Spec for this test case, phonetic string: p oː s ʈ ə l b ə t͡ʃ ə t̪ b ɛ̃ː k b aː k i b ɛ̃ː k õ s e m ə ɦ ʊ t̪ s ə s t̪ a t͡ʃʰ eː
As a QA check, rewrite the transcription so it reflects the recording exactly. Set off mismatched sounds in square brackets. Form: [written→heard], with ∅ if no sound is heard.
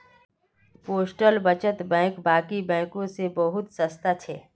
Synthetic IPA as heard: p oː s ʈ ə l b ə t͡ʃ ə t̪ b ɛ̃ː k b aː k i b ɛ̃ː k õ s e [m→b] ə ɦ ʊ t̪ s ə s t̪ a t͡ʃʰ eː